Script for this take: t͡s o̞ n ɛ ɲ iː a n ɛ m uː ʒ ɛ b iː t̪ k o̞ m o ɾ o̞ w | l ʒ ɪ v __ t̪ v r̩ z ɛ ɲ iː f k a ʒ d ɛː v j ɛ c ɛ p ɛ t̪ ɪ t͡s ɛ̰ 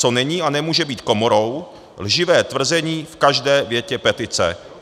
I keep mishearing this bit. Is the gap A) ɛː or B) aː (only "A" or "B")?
A